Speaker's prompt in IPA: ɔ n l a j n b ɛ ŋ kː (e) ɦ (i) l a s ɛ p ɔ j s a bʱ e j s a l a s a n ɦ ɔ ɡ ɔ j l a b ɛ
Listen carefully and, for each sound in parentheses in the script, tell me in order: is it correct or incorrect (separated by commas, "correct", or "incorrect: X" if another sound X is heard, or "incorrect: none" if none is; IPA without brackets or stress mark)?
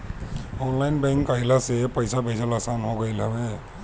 incorrect: a, correct